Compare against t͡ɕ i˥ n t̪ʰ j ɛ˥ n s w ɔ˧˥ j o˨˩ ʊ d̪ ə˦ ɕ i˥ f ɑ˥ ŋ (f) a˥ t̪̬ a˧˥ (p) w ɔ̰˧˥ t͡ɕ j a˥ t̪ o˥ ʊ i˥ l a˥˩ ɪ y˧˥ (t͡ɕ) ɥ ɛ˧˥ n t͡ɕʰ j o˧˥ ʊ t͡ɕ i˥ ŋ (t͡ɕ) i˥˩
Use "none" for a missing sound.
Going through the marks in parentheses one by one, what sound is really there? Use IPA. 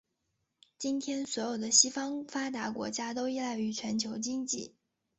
f, k, t͡ɕʰ, t͡ɕ

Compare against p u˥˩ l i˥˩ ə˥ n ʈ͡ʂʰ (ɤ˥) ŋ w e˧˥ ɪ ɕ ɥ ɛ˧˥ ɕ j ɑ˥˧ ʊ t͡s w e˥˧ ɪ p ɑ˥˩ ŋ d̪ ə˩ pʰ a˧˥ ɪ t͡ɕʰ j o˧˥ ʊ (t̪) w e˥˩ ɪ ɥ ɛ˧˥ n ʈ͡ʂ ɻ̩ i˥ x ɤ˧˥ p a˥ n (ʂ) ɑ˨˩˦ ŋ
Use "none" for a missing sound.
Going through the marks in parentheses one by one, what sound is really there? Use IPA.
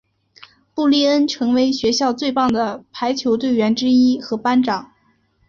ɤ˧˥, t̪, ʈ͡ʂ

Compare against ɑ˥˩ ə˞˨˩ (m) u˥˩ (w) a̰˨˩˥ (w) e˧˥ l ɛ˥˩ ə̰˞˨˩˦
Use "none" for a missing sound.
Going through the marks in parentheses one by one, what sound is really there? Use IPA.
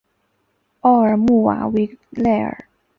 m, w, w

